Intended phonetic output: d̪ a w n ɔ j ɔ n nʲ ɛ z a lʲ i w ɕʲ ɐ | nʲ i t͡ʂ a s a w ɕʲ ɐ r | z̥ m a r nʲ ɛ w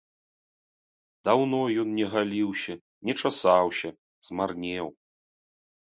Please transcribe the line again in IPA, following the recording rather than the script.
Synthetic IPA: d̪ a w n ɔ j ɔ n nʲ ɛ ɣ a lʲ i w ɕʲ ɐ | nʲ ɛ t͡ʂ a s a w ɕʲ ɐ | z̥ m a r nʲ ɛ w